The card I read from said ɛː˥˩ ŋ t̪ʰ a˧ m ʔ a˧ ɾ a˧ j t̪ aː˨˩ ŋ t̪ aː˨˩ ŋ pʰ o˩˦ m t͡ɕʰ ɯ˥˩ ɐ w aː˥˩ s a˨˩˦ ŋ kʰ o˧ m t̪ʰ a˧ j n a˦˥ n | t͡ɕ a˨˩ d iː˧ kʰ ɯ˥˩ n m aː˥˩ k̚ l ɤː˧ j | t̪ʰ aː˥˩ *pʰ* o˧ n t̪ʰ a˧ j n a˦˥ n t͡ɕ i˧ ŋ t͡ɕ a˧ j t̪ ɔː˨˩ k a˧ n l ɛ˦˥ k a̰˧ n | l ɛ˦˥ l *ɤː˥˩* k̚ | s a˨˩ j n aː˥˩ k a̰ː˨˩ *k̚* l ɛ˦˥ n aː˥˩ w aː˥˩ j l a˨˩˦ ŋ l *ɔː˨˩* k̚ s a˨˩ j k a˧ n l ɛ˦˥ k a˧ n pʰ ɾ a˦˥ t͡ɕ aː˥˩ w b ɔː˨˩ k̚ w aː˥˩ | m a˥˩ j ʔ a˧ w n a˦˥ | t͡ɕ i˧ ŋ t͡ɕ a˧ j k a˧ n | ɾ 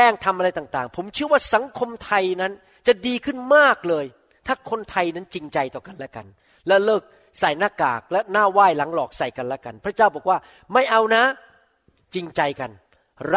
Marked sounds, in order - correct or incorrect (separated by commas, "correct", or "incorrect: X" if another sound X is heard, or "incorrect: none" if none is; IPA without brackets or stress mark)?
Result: incorrect: kʰ, correct, correct, correct